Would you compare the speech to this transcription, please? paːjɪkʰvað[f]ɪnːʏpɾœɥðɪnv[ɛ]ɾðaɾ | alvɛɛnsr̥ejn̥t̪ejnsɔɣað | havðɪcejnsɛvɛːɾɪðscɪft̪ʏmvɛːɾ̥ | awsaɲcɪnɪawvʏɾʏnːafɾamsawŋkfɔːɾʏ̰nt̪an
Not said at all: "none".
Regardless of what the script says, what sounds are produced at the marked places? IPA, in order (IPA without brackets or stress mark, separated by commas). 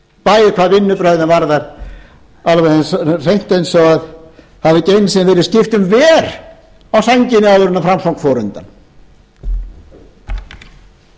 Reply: v, a